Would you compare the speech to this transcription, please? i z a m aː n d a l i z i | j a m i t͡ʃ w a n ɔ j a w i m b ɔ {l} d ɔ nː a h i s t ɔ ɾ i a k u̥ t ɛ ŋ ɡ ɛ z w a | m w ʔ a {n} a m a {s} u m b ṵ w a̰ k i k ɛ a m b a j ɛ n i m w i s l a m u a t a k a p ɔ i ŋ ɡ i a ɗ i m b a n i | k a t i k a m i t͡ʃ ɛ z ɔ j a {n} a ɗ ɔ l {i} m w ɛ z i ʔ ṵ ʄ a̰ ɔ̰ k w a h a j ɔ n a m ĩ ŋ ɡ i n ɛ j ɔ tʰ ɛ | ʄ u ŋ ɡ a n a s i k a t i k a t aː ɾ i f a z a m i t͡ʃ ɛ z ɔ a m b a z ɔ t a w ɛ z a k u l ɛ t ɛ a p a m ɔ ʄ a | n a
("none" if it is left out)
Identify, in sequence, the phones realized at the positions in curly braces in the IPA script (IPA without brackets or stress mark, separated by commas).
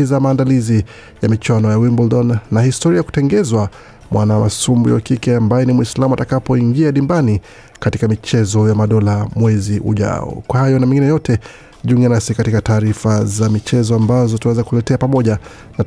l, n, s, m, a